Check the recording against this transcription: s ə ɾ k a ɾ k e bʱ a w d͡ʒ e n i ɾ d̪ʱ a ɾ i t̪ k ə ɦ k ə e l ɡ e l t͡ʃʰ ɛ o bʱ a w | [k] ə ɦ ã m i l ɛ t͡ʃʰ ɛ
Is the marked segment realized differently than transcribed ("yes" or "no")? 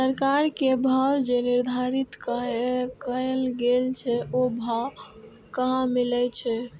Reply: no